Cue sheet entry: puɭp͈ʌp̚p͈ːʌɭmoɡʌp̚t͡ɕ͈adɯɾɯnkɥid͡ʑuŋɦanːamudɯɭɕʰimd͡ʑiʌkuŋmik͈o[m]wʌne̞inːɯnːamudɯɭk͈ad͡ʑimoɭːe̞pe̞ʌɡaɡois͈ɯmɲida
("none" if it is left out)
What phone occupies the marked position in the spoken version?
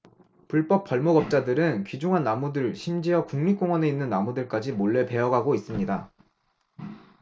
ŋ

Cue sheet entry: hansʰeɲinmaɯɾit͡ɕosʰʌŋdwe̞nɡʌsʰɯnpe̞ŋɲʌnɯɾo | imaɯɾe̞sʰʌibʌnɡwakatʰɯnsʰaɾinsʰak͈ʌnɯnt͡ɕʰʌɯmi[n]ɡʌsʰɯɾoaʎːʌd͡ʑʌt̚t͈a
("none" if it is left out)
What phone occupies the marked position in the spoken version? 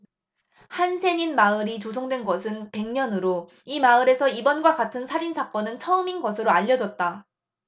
n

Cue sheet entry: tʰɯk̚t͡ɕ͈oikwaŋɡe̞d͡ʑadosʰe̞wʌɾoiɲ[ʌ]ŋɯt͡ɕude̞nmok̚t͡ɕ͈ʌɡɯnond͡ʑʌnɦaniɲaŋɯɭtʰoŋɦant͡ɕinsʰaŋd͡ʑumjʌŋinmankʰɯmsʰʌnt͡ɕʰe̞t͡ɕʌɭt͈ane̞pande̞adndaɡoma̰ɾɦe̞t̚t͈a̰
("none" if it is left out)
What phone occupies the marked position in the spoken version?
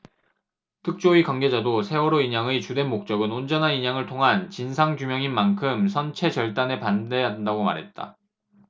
a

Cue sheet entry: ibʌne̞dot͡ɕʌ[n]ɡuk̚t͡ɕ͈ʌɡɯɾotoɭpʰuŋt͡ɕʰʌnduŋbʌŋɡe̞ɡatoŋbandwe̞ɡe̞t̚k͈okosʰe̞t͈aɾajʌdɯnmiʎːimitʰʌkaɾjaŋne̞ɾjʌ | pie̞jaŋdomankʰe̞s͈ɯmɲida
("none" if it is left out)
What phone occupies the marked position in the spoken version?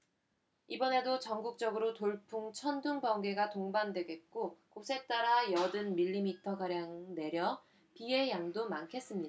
ŋ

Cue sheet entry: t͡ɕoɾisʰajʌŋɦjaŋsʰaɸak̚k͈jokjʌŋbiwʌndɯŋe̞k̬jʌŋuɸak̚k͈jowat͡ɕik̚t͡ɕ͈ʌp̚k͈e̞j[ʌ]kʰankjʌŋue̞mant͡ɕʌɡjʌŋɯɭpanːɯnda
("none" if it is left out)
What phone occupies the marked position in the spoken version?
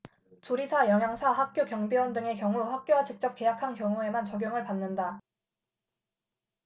a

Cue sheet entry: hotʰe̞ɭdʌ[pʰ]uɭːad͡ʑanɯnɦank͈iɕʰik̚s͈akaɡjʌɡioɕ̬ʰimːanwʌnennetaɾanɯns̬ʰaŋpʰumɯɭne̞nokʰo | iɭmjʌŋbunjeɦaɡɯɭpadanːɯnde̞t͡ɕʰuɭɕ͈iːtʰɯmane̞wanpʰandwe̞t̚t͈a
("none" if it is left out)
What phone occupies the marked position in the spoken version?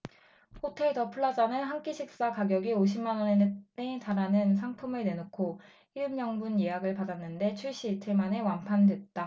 pʰ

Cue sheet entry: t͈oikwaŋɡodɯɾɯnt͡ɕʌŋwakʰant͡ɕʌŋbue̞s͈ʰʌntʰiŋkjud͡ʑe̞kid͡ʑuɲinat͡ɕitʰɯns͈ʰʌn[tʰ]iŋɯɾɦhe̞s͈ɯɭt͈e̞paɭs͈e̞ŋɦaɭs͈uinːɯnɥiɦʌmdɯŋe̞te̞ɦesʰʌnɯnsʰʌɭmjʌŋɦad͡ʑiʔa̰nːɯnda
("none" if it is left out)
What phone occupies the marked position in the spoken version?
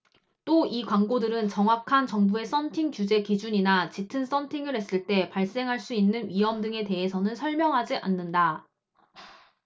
tʰ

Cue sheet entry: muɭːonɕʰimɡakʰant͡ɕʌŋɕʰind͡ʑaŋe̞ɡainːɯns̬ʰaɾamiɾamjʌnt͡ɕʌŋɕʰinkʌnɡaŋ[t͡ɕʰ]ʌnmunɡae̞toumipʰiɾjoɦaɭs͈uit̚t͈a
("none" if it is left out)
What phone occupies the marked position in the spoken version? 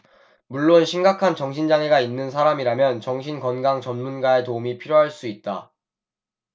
t͡ɕ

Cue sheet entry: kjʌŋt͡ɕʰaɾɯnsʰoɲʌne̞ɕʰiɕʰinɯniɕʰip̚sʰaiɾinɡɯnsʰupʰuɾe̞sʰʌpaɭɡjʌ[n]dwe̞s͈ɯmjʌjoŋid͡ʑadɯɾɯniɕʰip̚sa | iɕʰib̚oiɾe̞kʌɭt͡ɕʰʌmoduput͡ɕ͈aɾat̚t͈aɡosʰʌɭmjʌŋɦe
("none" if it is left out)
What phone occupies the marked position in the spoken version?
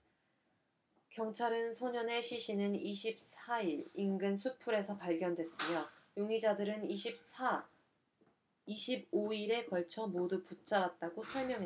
n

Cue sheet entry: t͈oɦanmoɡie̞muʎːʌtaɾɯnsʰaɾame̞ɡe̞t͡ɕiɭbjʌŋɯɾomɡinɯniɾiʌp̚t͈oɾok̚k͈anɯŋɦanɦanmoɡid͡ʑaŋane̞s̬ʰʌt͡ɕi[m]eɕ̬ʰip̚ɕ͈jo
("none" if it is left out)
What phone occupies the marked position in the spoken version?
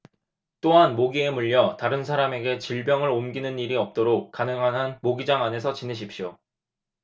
n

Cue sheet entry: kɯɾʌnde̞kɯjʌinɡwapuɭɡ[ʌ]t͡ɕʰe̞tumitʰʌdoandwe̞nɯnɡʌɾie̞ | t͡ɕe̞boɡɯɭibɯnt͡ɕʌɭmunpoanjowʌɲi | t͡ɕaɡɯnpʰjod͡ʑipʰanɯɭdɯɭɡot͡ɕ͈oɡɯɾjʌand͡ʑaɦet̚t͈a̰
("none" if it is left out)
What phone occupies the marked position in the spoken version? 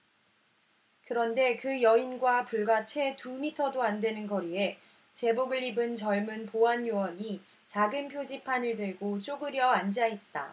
a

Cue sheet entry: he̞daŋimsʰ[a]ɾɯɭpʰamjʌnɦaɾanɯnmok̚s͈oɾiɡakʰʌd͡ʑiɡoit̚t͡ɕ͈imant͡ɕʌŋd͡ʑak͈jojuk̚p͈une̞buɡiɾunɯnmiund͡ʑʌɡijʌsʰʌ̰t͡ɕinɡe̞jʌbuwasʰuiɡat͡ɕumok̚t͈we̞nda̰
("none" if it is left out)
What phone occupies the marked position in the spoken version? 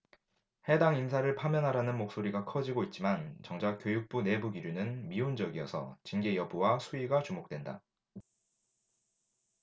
a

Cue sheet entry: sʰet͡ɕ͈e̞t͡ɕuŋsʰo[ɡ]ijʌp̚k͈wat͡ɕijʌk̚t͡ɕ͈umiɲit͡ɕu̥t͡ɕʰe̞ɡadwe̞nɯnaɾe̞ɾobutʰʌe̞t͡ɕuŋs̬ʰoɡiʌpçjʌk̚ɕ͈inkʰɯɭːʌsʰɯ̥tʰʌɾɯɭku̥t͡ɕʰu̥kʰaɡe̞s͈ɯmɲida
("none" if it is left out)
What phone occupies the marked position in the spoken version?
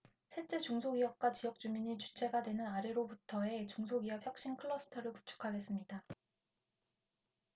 ɡ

